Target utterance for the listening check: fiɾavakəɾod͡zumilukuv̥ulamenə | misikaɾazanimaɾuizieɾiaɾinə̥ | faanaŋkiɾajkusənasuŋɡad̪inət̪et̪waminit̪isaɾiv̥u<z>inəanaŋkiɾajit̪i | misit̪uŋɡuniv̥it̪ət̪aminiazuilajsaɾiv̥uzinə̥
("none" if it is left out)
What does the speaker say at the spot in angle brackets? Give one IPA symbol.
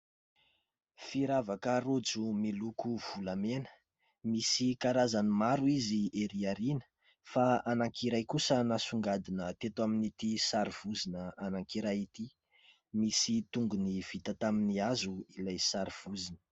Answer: z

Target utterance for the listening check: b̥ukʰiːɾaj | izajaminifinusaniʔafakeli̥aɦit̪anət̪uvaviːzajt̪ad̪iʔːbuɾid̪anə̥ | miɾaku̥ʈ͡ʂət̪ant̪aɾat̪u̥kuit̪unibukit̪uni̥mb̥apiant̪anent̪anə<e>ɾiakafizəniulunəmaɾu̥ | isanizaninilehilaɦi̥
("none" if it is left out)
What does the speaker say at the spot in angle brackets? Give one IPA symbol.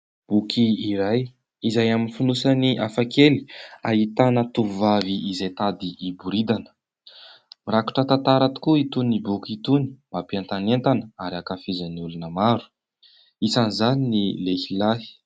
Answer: a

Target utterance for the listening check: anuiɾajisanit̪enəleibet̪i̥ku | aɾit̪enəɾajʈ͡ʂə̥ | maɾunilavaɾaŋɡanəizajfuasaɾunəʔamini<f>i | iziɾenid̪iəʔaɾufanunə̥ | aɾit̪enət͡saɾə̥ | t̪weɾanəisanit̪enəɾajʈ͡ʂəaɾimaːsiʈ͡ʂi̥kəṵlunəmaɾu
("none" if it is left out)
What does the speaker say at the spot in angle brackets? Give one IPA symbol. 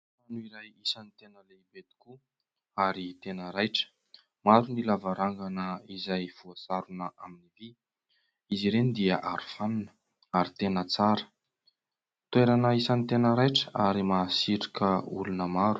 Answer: v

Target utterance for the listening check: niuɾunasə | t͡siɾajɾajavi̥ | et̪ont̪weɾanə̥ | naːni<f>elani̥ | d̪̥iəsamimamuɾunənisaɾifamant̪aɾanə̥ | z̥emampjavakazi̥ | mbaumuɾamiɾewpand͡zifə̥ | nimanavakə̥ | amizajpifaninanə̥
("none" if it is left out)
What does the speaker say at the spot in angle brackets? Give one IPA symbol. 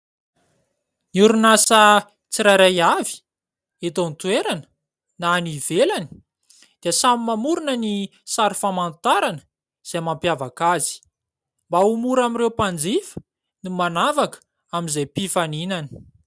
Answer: v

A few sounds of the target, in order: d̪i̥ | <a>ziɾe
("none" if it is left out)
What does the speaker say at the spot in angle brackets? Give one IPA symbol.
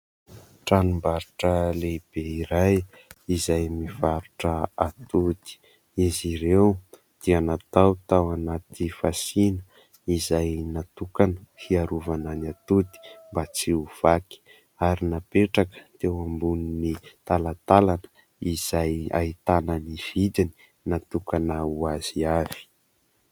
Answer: i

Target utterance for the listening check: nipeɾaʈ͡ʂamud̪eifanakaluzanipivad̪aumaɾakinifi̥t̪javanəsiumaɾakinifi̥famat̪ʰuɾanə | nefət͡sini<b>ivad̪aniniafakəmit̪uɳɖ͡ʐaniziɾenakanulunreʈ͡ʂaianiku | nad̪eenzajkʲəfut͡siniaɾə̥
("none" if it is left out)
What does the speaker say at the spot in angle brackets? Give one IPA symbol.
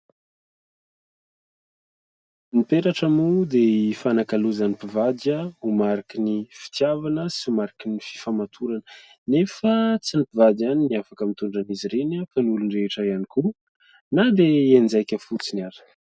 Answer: p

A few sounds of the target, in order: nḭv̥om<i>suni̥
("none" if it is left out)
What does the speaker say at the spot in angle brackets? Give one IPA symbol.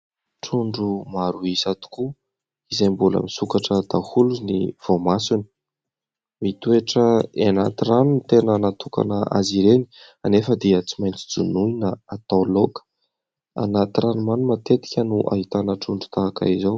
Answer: a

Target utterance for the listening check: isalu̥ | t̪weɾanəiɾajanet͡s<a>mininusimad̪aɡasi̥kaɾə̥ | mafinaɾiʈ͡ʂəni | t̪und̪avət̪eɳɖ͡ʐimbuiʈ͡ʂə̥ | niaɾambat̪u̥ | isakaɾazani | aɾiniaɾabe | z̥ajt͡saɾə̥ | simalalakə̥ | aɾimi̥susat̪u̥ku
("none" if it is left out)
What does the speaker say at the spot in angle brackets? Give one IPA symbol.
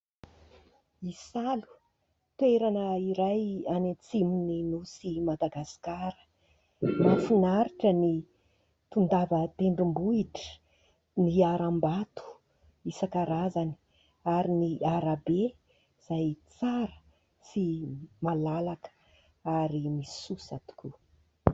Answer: i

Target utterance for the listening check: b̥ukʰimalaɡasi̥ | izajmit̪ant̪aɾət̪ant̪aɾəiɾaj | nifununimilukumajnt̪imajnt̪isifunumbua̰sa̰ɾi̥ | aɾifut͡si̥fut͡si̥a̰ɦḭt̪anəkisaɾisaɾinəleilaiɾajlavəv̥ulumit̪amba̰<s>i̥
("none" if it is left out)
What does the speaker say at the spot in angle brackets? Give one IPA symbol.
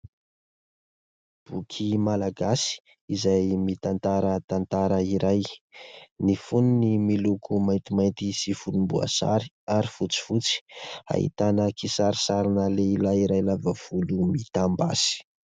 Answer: s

